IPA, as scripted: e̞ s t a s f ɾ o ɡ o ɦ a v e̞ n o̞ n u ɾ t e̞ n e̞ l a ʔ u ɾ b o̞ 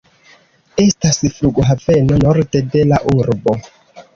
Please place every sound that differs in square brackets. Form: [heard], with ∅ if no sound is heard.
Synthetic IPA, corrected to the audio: e̞ s t a s f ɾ [u] ɡ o ɦ a v e̞ n o̞ n [o] ɾ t e̞ [d] e̞ l a ʔ u ɾ b o̞